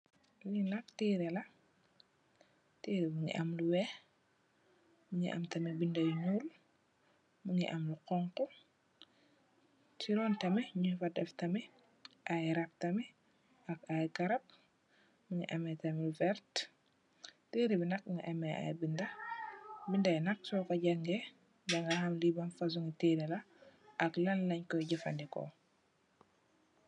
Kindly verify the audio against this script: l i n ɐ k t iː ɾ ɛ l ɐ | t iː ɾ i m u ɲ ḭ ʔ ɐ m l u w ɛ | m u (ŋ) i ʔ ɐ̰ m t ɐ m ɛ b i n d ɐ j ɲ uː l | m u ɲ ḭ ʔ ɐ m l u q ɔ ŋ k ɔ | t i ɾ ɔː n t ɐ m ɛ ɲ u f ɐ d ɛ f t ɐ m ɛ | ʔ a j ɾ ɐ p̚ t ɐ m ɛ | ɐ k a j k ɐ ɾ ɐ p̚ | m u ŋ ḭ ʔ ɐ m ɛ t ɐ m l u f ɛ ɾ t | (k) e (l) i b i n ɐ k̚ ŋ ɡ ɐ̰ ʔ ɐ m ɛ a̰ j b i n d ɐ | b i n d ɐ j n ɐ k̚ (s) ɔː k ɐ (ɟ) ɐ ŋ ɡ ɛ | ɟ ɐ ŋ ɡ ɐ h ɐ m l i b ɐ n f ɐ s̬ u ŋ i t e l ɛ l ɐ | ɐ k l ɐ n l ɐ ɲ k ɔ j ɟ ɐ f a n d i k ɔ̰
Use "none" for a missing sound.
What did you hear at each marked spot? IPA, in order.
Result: ɲ, t, ɾ, s, ɟ

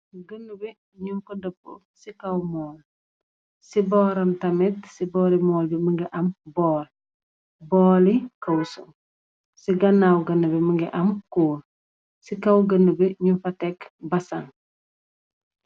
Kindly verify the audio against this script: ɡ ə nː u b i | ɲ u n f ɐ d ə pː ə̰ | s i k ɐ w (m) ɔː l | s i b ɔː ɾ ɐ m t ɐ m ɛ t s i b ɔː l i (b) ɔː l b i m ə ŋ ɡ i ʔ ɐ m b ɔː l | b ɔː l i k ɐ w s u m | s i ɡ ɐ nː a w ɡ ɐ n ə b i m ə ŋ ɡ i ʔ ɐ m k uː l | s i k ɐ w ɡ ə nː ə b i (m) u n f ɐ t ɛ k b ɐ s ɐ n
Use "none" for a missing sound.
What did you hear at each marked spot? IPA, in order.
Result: m, m, ɲ

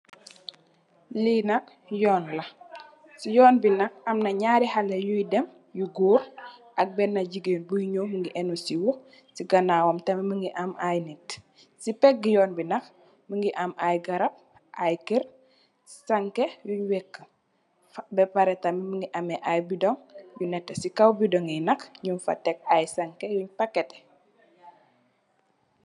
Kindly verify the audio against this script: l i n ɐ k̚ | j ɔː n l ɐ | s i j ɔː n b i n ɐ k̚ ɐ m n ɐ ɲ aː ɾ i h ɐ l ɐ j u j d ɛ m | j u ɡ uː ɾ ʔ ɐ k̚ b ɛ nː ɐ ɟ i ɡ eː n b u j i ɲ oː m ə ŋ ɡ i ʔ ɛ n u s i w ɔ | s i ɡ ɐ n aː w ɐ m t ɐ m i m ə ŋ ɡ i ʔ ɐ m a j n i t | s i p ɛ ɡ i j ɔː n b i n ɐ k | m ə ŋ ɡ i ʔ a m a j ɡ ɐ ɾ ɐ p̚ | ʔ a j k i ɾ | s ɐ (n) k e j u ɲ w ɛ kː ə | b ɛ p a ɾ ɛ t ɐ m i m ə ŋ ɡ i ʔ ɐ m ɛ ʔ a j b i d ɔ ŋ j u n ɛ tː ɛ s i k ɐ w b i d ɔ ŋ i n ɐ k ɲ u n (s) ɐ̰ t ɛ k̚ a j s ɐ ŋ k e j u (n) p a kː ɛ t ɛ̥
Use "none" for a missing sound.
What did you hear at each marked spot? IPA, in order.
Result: ŋ, f, ɲ

